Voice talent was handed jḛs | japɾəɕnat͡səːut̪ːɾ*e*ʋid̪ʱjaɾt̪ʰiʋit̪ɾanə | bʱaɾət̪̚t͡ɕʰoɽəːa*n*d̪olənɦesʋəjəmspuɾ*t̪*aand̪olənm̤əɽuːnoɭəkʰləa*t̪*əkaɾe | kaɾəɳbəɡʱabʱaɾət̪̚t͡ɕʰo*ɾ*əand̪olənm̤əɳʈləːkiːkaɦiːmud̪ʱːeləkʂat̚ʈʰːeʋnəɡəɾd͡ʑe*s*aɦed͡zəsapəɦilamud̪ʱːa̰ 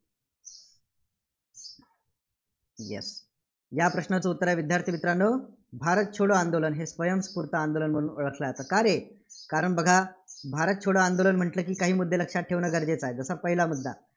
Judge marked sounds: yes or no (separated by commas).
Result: no, yes, yes, yes, no, no